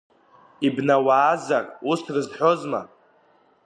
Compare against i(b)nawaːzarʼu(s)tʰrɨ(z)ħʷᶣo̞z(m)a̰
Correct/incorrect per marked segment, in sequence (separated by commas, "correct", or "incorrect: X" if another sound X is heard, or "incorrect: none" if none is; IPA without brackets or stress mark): correct, correct, correct, correct